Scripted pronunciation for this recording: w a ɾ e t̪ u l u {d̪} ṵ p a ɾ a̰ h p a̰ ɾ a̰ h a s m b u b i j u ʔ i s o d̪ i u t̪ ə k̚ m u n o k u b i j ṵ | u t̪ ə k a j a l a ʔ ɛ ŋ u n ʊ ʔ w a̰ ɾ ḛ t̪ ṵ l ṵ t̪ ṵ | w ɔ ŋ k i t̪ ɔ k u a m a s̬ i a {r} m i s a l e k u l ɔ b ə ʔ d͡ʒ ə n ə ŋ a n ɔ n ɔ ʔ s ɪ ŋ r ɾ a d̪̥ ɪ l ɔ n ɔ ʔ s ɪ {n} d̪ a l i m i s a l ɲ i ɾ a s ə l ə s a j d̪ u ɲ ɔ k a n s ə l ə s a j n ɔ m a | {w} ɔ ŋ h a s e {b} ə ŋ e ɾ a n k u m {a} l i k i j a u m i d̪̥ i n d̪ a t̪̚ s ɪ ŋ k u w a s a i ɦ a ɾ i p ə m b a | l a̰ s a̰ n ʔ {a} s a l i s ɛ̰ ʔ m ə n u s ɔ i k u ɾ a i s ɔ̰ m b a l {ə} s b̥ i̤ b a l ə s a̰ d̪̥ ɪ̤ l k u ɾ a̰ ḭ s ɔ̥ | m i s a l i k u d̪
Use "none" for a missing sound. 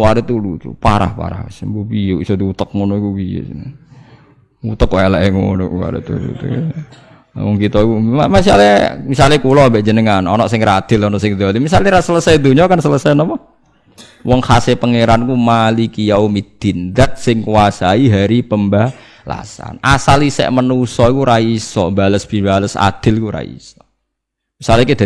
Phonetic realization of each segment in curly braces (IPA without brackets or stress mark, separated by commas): t̪, l, ŋ, w, p, a, a, ə